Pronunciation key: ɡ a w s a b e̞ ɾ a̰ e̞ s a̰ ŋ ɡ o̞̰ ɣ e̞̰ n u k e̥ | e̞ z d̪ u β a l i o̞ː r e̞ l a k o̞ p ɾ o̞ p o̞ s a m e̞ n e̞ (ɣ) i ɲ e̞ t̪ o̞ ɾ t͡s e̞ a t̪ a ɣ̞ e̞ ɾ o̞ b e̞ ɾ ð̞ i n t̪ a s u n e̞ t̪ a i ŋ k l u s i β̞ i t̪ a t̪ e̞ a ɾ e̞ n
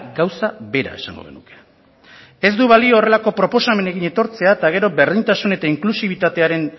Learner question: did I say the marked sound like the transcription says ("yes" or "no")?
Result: yes